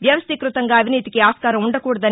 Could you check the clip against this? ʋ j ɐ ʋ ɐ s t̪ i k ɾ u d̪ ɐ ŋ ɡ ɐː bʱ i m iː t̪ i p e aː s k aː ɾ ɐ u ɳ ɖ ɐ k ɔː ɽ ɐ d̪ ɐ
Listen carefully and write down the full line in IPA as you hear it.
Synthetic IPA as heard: ʋ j ɐ ʋ ɐ s t̪ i k ɾ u t̪ ɐ ŋ ɡ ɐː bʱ i n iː t̪ i k e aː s k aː ɾ ɐ u ɳ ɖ ɐ k uː ɽ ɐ d̪ ɐ